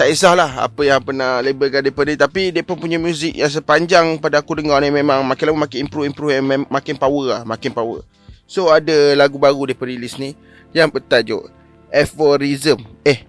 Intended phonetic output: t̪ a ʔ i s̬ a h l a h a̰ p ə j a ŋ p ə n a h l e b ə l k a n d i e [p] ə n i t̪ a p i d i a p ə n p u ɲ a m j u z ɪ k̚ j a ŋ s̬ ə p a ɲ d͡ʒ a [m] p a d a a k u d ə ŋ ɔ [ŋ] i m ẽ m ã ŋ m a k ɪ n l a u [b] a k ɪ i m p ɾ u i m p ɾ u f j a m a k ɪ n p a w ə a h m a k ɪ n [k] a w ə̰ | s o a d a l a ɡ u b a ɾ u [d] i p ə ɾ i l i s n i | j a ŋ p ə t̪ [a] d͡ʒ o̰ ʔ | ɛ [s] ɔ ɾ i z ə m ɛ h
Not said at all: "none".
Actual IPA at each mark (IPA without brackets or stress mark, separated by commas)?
p, ŋ, n, m, p, d, a, f